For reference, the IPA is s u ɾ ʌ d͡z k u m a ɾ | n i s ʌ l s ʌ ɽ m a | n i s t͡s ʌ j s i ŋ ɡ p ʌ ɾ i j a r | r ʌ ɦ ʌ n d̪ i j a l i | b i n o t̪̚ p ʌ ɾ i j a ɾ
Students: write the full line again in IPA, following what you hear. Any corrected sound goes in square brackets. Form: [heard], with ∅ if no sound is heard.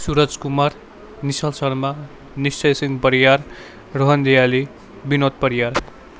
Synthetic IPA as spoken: s u ɾ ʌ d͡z k u m a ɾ | n i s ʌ l s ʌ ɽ m a | n i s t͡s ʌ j s i ŋ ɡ p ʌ ɾ i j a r | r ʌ ɦ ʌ n d̪ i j a l i | b i n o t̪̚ p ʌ ɾ i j a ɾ